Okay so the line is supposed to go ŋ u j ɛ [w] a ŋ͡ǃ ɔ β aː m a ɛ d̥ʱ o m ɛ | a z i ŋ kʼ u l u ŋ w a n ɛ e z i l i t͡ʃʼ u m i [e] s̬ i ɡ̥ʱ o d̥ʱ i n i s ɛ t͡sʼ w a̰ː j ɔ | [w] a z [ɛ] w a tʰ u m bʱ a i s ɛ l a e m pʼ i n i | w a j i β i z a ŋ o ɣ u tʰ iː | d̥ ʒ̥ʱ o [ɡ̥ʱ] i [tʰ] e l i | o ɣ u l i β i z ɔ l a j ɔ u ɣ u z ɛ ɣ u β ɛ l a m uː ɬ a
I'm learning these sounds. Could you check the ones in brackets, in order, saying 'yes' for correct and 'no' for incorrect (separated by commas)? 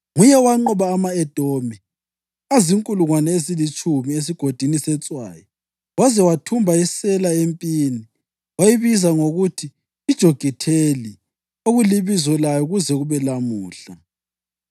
yes, yes, yes, yes, yes, yes